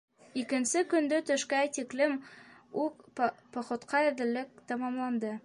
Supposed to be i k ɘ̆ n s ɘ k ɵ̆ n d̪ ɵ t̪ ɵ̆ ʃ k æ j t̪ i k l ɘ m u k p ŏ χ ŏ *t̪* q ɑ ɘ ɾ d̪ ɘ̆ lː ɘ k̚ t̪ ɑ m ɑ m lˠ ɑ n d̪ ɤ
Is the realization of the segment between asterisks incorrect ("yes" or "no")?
no